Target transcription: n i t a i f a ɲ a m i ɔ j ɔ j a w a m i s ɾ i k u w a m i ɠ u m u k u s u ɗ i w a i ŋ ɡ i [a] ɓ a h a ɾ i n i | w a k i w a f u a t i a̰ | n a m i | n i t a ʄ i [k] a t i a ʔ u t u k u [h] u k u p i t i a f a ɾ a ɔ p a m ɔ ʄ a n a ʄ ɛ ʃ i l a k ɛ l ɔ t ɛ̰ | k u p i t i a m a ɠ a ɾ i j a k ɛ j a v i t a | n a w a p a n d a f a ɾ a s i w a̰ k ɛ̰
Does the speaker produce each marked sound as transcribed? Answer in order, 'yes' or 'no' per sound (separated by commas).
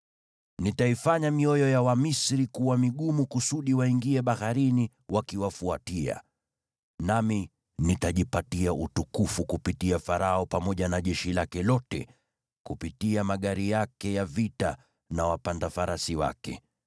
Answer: no, no, no